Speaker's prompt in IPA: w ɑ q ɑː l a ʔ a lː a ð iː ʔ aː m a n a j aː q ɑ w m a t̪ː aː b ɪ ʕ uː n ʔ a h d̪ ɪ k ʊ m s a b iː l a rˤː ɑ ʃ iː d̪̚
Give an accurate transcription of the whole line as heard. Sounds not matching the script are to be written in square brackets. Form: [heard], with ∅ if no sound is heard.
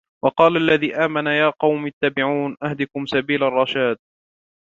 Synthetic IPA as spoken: w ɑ q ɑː l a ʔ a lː a ð iː ʔ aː m a n a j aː q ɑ w m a t̪ː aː b ɪ ʕ uː n ʔ a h d̪ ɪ k ʊ m s a b iː l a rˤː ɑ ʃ [aː] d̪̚